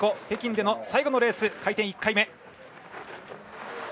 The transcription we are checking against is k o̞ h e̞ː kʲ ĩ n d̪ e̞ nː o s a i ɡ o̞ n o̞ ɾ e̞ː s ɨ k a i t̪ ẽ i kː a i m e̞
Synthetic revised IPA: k o̞ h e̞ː kʲ ĩ n d̪ e̞ n o s a i ɡ o̞ n o̞ ɾ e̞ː s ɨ k a i t̪ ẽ i kː a i m e̞